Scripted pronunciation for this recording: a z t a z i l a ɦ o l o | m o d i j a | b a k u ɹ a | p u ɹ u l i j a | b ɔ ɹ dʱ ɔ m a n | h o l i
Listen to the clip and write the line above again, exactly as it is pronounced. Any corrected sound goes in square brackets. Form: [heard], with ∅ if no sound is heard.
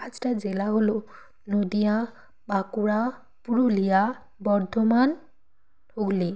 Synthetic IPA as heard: a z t a z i l a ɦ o l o | [n] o d i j a | b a k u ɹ a | p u ɹ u l i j a | b ɔ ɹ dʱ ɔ m a n | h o l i